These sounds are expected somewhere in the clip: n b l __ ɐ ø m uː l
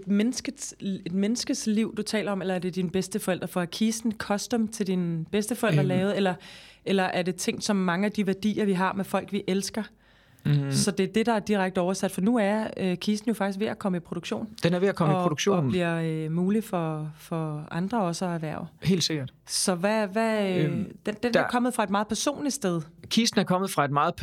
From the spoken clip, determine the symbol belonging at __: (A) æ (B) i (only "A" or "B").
B